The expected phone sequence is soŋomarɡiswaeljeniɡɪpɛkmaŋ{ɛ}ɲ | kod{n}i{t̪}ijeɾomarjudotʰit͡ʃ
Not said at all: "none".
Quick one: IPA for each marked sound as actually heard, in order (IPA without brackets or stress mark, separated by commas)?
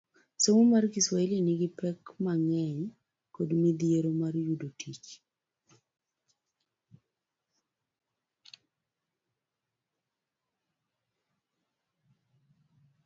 ɛ, m, d̪